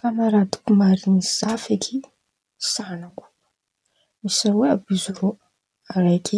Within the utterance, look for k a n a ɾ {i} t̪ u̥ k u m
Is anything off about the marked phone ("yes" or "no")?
yes